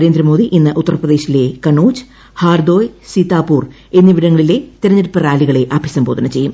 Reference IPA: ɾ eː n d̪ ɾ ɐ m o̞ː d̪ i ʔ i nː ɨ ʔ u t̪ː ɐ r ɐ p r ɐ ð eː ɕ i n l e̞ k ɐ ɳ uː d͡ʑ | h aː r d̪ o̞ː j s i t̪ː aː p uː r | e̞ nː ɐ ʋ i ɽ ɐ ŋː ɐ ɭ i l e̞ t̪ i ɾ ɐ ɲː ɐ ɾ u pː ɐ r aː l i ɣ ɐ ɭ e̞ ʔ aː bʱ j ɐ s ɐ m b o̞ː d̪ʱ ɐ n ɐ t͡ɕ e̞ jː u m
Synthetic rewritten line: ɾ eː n d̪ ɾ ɐ m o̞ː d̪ i ʔ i nː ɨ ʔ u t̪ː ɐ r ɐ p r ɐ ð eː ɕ i l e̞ k ɐ ɳ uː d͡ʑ | h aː r d̪ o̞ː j s i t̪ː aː p uː r | e̞ nː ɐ ʋ i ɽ ɐ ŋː ɐ ɭ i l e̞ t̪ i ɾ ɐ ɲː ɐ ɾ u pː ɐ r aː l i ɣ ɐ ɭ e̞ ʔ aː bʱ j ɐ s ɐ m b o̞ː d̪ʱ ɐ n ɐ t͡ɕ e̞ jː u m